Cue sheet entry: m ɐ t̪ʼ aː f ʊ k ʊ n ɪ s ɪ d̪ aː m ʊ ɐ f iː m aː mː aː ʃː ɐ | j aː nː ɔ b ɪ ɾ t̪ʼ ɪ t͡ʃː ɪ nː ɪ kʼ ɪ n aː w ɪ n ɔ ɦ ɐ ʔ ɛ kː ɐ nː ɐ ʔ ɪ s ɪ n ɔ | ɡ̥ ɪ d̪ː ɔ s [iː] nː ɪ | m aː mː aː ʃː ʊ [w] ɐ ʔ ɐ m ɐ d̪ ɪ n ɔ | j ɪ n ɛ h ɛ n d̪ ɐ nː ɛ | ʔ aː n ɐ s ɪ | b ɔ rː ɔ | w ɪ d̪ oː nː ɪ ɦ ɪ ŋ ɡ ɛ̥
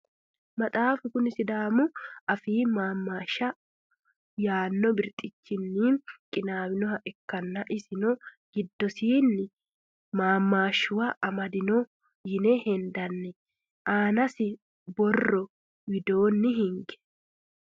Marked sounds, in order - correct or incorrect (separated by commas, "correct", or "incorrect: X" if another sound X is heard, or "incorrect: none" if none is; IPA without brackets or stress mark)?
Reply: correct, correct